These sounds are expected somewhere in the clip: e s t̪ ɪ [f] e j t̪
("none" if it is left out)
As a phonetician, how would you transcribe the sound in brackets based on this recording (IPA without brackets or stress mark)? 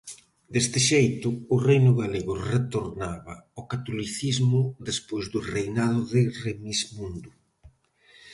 ʃ